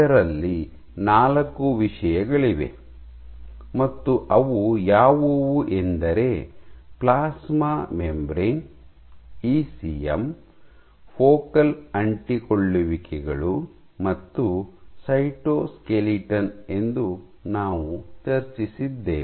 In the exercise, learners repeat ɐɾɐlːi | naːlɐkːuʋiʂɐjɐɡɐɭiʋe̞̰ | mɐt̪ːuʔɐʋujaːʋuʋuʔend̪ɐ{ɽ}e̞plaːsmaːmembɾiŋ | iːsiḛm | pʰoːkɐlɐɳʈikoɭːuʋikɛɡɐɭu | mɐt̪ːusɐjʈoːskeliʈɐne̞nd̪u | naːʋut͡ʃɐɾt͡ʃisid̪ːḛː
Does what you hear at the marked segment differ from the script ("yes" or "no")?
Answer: yes